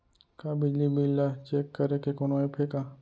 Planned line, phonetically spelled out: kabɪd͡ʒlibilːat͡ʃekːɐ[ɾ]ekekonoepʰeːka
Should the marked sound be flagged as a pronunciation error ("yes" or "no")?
no